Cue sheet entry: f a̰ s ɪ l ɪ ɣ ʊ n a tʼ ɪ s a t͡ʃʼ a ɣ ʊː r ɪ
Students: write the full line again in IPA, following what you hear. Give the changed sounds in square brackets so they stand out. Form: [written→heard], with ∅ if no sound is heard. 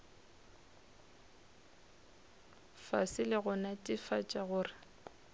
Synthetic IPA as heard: f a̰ s ɪ l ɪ ɣ ʊ n a tʼ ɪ [s→f] a t͡ʃʼ a ɣ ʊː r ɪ